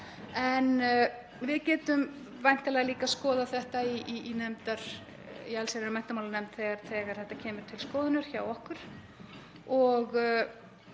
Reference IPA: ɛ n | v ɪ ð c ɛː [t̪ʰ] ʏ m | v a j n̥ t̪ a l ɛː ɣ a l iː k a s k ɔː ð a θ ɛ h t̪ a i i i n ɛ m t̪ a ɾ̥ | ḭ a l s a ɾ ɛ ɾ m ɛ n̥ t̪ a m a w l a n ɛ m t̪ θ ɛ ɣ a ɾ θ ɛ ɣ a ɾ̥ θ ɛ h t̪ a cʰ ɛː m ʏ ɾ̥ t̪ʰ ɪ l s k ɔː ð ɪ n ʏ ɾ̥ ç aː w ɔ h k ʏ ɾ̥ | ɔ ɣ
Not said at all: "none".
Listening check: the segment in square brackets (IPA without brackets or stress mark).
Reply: t̪